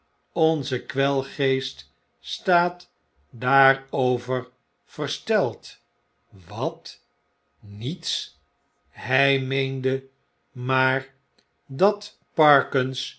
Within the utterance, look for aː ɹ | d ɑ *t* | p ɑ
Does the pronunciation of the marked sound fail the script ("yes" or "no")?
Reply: no